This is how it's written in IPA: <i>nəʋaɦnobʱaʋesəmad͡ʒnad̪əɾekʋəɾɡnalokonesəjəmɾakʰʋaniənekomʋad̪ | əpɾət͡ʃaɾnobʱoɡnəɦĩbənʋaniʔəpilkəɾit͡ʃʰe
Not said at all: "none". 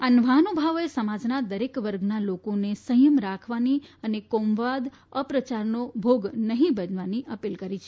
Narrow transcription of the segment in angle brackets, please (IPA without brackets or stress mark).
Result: a